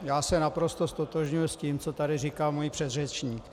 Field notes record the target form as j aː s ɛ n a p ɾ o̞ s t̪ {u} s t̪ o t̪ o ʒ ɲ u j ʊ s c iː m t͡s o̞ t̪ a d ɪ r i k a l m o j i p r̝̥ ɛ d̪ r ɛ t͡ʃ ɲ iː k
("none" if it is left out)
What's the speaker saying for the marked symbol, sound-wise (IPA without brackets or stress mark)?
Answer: o